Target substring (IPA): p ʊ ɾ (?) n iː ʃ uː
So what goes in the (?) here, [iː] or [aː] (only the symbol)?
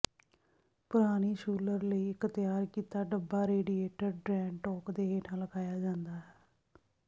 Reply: aː